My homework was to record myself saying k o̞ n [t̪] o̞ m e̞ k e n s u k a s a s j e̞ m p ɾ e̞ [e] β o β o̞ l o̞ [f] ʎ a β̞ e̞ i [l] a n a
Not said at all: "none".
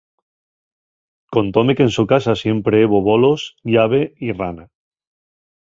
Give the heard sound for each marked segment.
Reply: t̪, e, s, r

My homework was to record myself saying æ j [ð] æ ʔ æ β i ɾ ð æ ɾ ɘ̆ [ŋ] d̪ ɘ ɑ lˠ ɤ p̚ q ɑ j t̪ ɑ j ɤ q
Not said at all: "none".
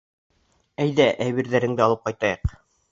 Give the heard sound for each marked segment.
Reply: ð, ŋ

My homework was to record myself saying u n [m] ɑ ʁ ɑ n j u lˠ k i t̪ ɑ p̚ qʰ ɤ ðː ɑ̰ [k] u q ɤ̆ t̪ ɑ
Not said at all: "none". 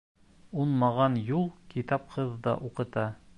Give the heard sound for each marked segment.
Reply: m, ʔ

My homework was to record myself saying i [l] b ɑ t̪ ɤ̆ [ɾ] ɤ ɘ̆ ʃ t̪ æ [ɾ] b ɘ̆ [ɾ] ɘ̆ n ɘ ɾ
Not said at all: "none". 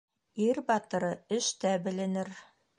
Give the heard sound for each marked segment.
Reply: ɾ, ɾ, none, l

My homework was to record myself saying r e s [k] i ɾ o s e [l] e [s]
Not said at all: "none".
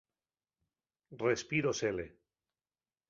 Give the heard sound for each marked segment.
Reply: p, l, none

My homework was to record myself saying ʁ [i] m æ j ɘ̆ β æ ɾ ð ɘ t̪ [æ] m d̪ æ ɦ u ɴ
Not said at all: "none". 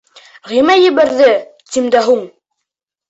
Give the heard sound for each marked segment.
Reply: i, i

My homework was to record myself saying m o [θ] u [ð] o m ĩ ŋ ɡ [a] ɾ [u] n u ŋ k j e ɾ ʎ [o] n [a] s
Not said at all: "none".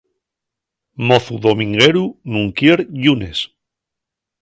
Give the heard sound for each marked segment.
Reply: θ, ð, e, u, u, e

